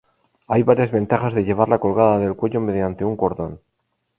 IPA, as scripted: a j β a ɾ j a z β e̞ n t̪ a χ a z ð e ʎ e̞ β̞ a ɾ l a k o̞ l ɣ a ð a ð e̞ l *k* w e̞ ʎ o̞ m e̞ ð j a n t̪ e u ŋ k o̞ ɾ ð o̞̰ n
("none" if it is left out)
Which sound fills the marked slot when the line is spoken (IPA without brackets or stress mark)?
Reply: k